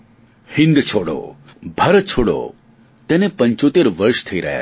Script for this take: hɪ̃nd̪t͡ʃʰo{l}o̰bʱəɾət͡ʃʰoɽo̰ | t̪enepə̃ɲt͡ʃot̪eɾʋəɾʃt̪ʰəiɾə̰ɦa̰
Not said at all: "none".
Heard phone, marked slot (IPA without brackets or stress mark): ɽ